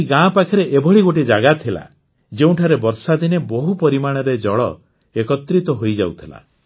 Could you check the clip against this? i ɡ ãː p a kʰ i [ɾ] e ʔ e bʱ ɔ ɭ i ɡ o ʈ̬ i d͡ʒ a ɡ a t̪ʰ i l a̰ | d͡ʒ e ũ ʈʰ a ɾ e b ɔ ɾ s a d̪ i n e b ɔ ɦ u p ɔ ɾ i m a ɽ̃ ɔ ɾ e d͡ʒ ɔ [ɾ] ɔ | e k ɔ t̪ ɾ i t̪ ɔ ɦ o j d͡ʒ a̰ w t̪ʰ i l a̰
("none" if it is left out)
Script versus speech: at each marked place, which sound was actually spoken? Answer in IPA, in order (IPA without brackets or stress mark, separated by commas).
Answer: ɾ, ɭ